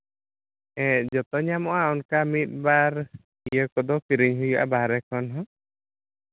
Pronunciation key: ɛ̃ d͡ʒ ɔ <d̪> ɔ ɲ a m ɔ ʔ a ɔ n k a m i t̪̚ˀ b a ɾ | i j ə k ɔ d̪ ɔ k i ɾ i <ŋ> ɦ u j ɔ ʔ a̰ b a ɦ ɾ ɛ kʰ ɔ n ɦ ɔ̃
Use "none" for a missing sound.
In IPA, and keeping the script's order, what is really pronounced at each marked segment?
t̪, ɲ

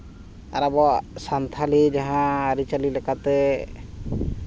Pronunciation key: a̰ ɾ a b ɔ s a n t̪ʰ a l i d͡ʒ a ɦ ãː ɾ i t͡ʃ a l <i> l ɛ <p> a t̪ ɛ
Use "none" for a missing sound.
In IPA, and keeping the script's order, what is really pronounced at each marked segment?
i, k

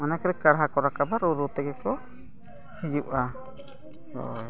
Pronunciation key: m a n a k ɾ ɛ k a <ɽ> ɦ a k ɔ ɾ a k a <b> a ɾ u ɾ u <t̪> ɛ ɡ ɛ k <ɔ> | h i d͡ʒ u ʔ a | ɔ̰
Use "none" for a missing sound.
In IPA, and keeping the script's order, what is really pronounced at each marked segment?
ɽ, b, t̪, ɔ

